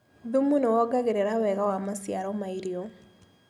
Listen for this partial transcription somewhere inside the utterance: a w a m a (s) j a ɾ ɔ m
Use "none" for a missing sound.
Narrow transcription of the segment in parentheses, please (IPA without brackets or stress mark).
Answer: s